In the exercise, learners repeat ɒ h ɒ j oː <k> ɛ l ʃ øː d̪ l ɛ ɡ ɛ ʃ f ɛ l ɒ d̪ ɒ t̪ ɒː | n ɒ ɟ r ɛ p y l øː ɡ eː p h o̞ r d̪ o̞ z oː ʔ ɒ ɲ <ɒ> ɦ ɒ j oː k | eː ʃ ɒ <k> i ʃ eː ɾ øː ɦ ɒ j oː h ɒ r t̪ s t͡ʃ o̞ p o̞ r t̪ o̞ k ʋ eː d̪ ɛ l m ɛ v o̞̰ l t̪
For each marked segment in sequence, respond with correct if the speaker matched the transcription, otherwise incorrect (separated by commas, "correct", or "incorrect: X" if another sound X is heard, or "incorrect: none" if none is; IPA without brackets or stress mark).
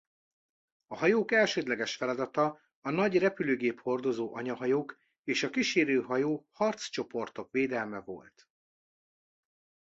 correct, correct, correct